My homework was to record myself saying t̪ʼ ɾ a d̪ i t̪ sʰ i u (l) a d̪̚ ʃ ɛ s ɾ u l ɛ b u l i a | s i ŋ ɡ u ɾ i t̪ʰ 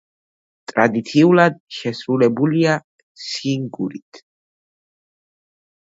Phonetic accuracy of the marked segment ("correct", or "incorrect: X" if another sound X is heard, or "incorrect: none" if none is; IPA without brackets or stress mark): correct